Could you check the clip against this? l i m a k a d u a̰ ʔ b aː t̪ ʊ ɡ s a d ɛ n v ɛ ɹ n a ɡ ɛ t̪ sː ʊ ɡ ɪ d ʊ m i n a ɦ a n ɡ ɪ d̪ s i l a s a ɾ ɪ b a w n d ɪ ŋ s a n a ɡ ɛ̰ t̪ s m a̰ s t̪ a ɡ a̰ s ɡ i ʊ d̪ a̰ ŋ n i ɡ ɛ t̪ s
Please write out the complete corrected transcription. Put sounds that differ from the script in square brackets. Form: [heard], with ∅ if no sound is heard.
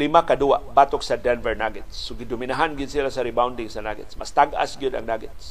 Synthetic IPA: l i m a k a d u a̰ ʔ b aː t̪ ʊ [k] s a d ɛ n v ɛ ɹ n a ɡ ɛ t̪ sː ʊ ɡ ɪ d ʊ m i n a ɦ a n ɡ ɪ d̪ s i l a s a ɾ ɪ b a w n d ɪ ŋ s a n a ɡ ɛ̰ t̪ s m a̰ s t̪ a ɡ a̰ s ɡ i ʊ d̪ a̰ ŋ n [a] ɡ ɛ t̪ s